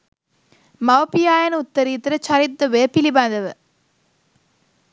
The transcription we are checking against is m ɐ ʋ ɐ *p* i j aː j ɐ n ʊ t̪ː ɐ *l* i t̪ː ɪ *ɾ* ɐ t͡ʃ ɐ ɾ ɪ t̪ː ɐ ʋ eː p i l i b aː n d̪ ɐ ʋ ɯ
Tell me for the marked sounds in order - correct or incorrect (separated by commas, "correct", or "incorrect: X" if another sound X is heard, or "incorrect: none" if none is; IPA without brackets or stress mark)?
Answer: correct, incorrect: ɾ, correct